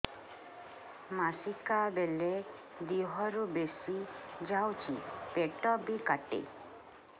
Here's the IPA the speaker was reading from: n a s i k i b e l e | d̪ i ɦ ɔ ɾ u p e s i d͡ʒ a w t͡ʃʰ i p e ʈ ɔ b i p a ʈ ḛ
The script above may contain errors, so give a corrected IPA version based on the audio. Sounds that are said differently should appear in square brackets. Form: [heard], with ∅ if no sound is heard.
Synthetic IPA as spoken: [m] a s i k [a] b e l e | d̪ i ɦ ɔ ɾ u [b] e s i d͡ʒ a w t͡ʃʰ i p e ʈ ɔ b i [k] a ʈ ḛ